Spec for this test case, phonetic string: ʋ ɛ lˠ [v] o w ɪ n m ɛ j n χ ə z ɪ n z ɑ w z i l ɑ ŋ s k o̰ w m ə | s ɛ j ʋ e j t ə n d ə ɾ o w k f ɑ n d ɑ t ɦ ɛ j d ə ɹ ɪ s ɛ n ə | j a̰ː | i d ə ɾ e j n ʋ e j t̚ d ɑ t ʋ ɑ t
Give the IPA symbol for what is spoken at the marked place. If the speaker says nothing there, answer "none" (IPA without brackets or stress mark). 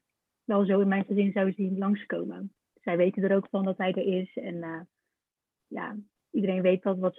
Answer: z